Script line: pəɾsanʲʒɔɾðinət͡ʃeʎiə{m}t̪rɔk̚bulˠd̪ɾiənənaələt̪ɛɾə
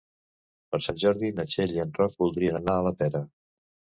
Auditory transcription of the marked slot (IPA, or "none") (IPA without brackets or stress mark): n